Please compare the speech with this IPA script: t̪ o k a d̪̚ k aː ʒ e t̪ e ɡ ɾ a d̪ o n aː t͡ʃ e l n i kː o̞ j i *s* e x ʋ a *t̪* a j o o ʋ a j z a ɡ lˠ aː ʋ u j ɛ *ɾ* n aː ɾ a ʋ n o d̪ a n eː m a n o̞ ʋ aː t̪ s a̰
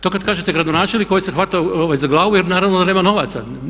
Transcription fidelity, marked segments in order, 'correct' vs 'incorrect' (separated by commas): correct, correct, correct